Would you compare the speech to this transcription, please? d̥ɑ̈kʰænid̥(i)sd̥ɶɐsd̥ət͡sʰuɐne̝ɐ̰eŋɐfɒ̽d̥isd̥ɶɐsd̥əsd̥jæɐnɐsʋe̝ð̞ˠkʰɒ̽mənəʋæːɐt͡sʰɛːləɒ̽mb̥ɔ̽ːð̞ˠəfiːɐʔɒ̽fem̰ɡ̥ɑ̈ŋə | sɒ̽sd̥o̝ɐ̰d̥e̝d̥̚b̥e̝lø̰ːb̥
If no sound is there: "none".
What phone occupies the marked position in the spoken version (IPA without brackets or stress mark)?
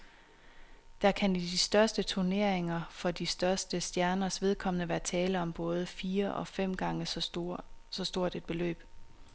i